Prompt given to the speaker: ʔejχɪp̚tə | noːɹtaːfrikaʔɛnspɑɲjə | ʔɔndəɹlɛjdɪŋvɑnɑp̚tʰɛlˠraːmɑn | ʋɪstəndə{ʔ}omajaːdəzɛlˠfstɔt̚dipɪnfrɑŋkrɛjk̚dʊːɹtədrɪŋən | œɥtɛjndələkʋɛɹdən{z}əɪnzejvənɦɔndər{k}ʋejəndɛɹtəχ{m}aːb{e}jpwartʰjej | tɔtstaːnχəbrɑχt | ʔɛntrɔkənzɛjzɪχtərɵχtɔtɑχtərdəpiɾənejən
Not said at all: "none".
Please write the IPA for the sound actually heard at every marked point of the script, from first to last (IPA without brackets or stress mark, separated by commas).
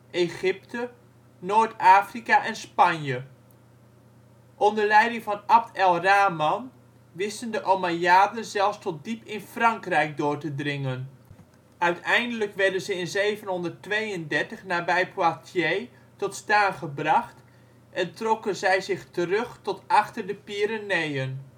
ʔ, z, t, n, ɛ